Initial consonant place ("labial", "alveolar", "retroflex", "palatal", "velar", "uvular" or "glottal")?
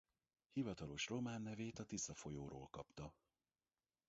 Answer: glottal